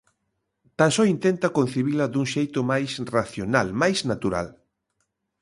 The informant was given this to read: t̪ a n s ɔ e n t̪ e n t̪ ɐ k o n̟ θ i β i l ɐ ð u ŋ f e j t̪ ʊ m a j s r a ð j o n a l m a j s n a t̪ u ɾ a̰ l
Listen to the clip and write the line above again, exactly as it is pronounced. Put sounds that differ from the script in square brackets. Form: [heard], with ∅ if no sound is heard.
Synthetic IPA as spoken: t̪ a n s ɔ [i] n t̪ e n t̪ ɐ k o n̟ θ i β i l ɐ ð u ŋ [ʃ] e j t̪ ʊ m a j s r a [θ] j o n a l m a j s n a t̪ u ɾ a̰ l